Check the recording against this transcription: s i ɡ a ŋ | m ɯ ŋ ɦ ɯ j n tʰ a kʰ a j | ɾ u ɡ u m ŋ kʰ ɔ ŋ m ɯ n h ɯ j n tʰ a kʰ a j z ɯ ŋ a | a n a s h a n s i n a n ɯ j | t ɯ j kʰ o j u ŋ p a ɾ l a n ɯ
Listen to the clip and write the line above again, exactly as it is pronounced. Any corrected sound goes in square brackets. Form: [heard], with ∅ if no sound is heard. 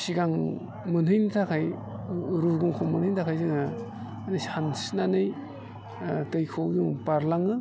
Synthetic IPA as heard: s i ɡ a ŋ | m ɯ [n] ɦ ɯ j n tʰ a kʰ a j | ɾ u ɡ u [∅] ŋ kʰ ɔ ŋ m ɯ n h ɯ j n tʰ a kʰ a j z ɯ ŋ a | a n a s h a n s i n a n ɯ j | t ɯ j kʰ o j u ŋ p a ɾ l a [ŋ] ɯ

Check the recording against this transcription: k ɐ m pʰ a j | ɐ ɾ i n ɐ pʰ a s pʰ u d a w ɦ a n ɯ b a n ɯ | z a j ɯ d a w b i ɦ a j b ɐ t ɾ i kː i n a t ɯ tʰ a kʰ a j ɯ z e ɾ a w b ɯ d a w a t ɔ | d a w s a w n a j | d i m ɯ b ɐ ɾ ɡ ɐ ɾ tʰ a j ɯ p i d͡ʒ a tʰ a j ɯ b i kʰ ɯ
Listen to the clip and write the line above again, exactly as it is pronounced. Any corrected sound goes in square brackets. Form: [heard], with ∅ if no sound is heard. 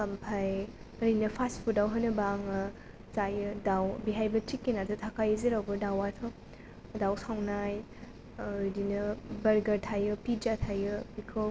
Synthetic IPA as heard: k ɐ m pʰ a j | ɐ ɾ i n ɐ pʰ a s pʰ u d a w ɦ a n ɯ b a [ŋ] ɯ | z a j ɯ d a w b i ɦ a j b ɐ t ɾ i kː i n a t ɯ tʰ a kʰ a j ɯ z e ɾ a w b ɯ d a w a [tʰ] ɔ | d a w s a w n a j | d i [n] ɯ b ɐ ɾ ɡ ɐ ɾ tʰ a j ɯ p i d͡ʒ a tʰ a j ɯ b i kʰ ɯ

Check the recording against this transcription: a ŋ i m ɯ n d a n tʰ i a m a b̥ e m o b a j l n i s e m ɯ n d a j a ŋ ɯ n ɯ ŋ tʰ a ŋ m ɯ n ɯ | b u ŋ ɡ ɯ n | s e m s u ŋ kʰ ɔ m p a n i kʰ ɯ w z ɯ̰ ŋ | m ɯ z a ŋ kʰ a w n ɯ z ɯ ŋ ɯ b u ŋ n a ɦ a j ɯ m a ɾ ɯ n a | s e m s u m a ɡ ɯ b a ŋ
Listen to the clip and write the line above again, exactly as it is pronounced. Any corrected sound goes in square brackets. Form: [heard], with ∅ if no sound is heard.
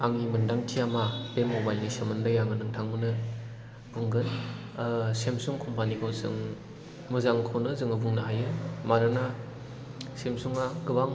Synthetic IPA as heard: a ŋ i m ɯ n d a [ŋ] tʰ i a m a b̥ e m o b a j l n i s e m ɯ n d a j a ŋ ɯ n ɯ ŋ tʰ a ŋ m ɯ n ɯ | b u ŋ ɡ ɯ n | s e m s u ŋ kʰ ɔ m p a n i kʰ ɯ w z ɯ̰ ŋ | m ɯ z a ŋ kʰ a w n ɯ z ɯ ŋ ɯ b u ŋ n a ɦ a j ɯ m a ɾ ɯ n a | s e m s u [ŋ] a ɡ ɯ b a ŋ

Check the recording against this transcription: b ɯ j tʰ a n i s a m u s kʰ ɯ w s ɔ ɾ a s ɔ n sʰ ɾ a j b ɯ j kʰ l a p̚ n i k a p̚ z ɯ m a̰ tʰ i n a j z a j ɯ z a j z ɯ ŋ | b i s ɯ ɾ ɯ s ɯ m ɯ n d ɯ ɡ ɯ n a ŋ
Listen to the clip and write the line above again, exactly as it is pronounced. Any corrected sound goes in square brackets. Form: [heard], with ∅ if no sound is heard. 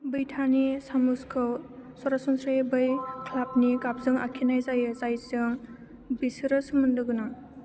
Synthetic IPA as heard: b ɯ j tʰ a n i s a m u s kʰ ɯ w s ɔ ɾ a s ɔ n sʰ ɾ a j b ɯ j kʰ l a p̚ n i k a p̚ z ɯ [ŋ] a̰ [kʰ] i n a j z a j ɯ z a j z ɯ ŋ | b i s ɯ ɾ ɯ s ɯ m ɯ n d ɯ ɡ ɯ n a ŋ

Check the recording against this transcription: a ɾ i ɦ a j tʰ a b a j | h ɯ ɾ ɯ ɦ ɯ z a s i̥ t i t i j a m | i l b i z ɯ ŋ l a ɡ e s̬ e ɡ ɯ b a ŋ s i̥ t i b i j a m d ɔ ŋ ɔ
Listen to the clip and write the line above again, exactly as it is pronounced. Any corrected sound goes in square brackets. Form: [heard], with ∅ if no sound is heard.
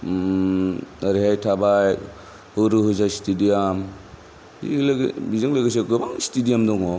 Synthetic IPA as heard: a ɾ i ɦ a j tʰ a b a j | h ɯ ɾ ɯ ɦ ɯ z a s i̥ t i [d] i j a m | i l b i z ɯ ŋ l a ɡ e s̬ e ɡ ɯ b a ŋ s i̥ t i [d] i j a m d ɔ ŋ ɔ

